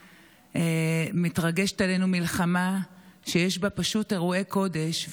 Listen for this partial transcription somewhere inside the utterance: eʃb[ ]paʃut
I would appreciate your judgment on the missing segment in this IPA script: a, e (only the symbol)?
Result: a